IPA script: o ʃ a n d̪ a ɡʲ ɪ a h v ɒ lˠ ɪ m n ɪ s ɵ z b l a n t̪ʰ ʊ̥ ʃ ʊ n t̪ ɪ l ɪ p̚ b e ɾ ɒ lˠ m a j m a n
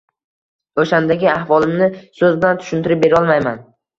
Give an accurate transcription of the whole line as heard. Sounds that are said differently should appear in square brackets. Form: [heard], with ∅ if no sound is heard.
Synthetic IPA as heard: o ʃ a n d̪ a ɡʲ ɪ a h v ɒ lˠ ɪ m n ɪ s ɵ z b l a n t̪ʰ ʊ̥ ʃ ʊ n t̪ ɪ [ɾ] ɪ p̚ b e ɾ ɒ lˠ m a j m a n

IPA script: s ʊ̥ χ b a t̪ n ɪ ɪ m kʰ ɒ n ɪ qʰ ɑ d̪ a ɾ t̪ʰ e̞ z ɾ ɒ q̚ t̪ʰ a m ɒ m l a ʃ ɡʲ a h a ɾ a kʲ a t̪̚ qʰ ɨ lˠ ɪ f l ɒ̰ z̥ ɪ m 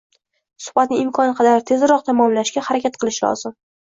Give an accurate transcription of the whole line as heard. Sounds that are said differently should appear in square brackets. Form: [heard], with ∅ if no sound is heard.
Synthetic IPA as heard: s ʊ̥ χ b a t̪ n ɪ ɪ m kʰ ɒ n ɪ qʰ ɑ d̪ a ɾ t̪ʰ e̞ z ɾ ɒ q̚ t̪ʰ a m ɒ m l a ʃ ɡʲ a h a ɾ a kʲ a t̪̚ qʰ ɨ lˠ ɪ [ʃ] l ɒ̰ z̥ ɪ m

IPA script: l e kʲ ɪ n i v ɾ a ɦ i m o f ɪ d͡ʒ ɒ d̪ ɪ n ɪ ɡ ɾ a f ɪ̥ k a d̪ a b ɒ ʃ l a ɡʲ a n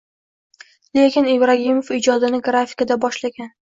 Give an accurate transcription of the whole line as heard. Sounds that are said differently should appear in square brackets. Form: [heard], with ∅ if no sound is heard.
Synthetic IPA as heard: l e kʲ ɪ n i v ɾ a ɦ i m o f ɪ d͡ʒ ɒ d̪ ɪ n ɪ ɡ ɾ a f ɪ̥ k a d̪ a b ɒ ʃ l a ɡʲ a n

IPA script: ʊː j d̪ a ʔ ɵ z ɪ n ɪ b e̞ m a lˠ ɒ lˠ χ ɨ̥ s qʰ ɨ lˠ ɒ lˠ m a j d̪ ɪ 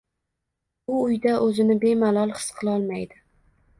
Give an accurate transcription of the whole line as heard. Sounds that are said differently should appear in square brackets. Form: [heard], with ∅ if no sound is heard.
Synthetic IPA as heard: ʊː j d̪ a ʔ ɵ z ɪ n ɪ b e̞ m a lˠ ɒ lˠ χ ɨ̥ s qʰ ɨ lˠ ɒ lˠ m a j d̪ ɪ

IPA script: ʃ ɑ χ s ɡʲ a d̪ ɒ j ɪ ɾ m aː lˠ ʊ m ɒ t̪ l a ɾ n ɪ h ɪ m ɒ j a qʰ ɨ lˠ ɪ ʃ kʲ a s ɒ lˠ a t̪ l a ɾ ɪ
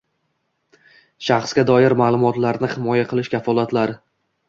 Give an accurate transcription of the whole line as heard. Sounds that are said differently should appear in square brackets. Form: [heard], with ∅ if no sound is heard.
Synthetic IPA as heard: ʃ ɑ χ s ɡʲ a d̪ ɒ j ɪ ɾ m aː lˠ ʊ m ɒ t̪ l a ɾ n ɪ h ɪ m ɒ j a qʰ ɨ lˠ ɪ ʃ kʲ a [f] ɒ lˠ a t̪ l a ɾ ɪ

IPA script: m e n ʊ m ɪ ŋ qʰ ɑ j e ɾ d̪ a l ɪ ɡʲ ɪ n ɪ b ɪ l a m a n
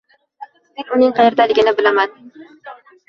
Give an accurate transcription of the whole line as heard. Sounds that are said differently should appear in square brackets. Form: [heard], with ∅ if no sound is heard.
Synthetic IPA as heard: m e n ʊ [n] ɪ ŋ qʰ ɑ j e ɾ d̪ a l ɪ ɡʲ ɪ n ɪ b ɪ l a m a n

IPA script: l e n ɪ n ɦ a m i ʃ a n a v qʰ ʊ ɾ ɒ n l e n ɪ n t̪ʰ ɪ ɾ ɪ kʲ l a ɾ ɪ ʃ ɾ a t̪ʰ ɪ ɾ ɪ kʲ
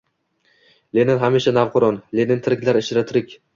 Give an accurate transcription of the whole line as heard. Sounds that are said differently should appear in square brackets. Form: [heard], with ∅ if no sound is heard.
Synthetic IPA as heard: l e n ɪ n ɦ a m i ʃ a n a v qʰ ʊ ɾ ɒ n l e n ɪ n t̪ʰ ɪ ɾ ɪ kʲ l a ɾ ɪ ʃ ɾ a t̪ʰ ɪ ɾ ɪ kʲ

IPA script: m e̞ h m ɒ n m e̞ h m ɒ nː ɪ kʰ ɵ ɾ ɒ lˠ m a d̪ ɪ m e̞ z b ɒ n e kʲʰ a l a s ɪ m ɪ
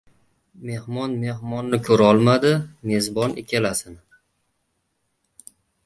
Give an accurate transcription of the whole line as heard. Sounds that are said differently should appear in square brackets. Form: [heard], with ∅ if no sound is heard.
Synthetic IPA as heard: m e̞ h m ɒ n m e̞ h m ɒ nː ɪ kʰ ɵ ɾ ɒ lˠ m a d̪ ɪ m e̞ z b ɒ n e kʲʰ a l a s ɪ [n] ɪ

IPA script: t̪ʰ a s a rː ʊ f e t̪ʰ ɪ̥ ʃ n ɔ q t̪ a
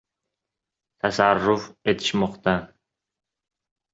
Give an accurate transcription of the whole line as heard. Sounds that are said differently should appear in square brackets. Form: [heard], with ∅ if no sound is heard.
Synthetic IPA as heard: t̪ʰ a s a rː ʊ f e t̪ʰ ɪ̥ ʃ [m] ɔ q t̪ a

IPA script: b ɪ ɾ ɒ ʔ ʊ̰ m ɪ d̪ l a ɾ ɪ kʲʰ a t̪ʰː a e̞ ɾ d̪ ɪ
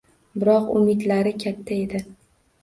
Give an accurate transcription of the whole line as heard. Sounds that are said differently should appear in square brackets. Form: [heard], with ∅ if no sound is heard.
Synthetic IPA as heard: b ɪ ɾ ɒ [q] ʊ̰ m ɪ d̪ l a ɾ ɪ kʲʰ a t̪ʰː a e̞ [∅] d̪ ɪ

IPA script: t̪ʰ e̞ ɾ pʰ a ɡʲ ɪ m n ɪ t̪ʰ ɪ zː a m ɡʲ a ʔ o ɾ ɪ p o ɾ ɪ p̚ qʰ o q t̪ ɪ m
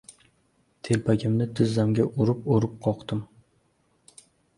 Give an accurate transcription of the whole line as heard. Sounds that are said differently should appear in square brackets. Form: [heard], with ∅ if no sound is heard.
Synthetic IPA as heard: t̪ʰ e̞ [l] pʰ a ɡʲ ɪ m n ɪ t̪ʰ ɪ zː a m ɡʲ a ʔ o ɾ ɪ p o ɾ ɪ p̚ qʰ [ɒ] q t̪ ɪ m

